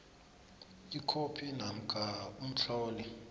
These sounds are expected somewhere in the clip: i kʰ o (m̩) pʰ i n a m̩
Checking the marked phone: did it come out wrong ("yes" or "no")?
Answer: yes